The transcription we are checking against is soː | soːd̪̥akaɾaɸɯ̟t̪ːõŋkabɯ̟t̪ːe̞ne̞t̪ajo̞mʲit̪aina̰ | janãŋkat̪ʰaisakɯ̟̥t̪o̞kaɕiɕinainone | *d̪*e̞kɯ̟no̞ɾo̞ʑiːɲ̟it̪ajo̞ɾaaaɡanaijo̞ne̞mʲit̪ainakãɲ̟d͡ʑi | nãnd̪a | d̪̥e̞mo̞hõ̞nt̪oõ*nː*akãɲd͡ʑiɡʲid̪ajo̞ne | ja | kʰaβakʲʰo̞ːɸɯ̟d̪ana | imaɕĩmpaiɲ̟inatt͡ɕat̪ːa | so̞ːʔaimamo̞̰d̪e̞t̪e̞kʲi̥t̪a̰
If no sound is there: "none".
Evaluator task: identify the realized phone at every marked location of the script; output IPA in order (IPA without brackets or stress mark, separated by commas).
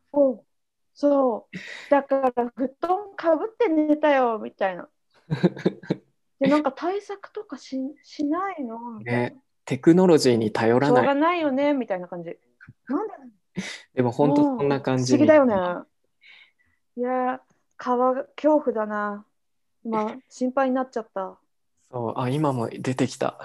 t̪, nː